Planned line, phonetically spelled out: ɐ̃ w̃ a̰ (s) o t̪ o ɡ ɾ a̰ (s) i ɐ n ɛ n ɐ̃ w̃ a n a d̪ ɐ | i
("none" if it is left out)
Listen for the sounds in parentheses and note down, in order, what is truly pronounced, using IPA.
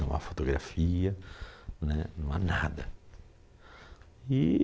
f, f

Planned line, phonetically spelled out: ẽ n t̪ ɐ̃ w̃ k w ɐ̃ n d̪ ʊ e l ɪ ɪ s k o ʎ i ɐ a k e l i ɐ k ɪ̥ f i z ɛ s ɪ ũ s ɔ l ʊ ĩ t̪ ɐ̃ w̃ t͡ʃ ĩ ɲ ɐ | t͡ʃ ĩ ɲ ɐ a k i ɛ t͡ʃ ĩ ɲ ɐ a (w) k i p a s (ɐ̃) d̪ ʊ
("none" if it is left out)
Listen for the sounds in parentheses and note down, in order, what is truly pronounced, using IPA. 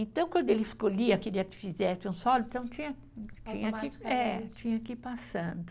none, ɐ̃

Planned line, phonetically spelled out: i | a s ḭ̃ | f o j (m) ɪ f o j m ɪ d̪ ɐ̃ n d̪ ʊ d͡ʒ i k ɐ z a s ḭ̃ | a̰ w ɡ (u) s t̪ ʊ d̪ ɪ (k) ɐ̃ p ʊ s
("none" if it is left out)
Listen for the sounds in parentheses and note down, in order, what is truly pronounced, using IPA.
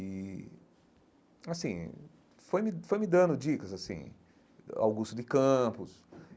m, u, k

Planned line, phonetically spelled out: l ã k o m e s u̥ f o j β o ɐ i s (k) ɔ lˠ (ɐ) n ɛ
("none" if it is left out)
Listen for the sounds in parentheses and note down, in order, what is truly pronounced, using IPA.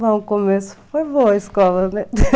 k, ɐ

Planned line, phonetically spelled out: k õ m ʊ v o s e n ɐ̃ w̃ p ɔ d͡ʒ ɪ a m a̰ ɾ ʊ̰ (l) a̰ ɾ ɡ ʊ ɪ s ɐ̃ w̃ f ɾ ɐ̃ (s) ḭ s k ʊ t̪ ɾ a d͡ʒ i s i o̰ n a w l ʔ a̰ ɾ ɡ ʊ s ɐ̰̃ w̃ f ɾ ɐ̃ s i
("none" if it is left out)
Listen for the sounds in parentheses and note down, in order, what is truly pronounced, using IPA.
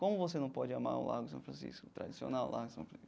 l, s

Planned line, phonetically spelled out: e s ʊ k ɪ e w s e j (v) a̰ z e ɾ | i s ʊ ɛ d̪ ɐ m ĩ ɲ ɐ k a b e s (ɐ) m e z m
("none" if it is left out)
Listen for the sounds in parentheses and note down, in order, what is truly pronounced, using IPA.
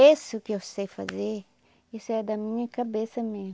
f, ɐ

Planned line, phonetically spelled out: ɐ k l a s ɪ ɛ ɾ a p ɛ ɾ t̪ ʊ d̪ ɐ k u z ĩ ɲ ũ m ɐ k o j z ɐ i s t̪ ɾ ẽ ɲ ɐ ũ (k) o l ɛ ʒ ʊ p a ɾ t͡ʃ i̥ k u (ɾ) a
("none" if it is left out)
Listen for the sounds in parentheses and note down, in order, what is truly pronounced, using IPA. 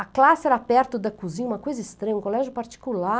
k, l

